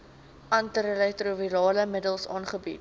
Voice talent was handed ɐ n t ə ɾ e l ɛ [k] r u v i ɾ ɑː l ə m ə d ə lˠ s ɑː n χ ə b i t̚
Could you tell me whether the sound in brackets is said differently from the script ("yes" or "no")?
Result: yes